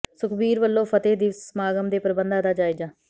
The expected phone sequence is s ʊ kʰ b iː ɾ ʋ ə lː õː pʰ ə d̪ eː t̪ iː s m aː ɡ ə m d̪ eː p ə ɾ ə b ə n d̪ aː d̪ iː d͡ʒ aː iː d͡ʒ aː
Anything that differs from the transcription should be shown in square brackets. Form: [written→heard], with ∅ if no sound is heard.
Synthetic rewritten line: s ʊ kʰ b iː ɾ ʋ ə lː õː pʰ ə [d̪→t̪] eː [t̪→d̪] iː s m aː ɡ ə m d̪ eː p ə ɾ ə b ə n d̪ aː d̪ [iː→aː] d͡ʒ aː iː d͡ʒ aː